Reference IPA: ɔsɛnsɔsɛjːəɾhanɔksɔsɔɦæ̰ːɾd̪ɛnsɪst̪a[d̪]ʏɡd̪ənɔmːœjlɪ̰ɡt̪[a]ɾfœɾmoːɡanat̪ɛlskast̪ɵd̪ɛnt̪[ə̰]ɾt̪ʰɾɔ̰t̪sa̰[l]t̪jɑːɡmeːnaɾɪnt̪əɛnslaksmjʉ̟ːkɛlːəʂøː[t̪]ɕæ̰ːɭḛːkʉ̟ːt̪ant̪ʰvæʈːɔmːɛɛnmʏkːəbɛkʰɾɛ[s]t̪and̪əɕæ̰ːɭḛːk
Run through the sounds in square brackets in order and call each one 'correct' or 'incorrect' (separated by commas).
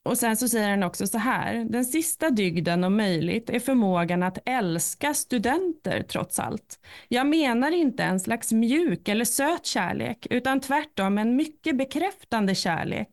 correct, incorrect, correct, correct, correct, incorrect